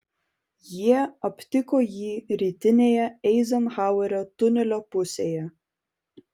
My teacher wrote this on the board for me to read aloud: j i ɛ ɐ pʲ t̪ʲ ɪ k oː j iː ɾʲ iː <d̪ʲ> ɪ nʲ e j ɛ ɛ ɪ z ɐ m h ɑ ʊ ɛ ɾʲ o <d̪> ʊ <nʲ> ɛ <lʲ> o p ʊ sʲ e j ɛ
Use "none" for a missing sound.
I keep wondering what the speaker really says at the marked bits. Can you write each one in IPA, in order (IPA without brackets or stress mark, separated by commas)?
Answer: t̪ʲ, t̪, nʲ, lʲ